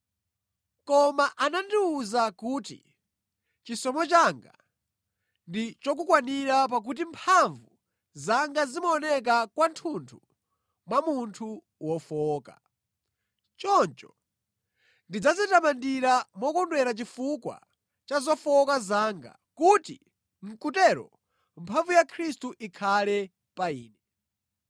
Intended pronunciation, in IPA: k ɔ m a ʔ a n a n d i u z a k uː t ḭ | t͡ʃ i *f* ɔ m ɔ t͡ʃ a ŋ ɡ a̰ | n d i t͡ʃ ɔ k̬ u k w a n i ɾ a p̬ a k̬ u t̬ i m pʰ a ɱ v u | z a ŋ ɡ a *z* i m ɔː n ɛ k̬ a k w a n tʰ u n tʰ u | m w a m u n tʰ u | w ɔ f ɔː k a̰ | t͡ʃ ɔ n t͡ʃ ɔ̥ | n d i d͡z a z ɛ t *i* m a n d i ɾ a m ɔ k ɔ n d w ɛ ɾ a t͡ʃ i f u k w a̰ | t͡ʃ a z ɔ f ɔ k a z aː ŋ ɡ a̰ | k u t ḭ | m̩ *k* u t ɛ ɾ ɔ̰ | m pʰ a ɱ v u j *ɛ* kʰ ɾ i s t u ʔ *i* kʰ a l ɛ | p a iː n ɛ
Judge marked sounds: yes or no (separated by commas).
no, yes, no, yes, no, yes